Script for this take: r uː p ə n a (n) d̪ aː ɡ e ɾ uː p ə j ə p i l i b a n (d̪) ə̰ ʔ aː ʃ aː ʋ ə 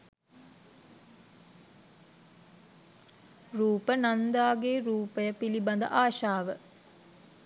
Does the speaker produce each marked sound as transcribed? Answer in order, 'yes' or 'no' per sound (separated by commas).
yes, yes